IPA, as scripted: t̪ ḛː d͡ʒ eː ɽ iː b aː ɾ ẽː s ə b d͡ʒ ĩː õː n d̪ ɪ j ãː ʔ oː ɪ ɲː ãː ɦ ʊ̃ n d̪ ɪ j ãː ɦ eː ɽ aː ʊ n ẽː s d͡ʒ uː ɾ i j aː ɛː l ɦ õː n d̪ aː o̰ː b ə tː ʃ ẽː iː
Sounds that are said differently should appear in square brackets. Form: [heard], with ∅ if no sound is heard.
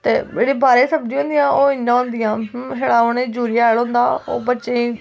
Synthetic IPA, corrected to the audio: t̪ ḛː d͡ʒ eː ɽ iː b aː ɾ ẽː s ə b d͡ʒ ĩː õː n d̪ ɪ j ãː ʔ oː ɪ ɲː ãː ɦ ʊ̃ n d̪ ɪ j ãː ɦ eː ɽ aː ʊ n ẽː [∅] d͡ʒ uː ɾ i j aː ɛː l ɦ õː n d̪ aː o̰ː b ə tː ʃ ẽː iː